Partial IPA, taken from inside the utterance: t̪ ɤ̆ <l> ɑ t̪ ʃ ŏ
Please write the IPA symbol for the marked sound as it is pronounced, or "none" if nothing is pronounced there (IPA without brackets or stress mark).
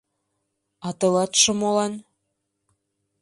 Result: l